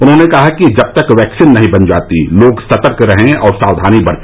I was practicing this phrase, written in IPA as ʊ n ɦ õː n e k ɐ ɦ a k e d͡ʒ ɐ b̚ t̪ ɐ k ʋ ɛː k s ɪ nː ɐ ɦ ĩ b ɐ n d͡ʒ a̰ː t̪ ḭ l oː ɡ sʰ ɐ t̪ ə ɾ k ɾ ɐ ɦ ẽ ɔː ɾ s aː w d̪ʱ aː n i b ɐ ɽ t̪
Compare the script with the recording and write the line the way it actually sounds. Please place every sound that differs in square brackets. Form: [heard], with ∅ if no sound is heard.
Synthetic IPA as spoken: ʊ n ɦ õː n e k ɐ ɦ a k [i] d͡ʒ ɐ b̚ t̪ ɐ k ʋ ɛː k s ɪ nː ɐ ɦ ĩ b ɐ n d͡ʒ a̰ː t̪ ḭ l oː ɡ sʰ ɐ t̪ ə ɾ k ɾ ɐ ɦ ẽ ɔː ɾ s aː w d̪ʱ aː n i b ɐ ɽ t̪